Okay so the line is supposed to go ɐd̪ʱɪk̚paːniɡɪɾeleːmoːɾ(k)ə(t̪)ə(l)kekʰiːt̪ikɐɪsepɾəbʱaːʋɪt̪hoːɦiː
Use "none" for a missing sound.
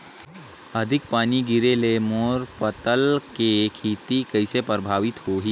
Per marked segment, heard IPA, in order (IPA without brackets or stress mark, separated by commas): p, t̪, l